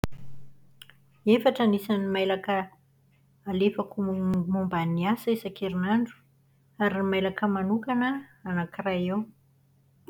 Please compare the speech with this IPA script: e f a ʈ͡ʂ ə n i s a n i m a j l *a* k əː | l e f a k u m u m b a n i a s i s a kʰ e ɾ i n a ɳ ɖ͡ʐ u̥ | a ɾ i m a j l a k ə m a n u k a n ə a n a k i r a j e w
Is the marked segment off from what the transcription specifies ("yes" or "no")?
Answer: no